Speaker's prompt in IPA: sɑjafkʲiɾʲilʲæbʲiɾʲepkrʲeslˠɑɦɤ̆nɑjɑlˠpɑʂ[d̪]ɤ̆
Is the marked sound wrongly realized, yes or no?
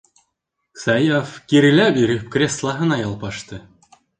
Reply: yes